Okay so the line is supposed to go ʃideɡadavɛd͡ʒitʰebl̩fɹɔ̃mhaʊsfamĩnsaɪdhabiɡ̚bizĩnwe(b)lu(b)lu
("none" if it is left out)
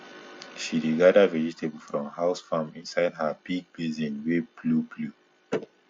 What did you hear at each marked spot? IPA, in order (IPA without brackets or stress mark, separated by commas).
b, b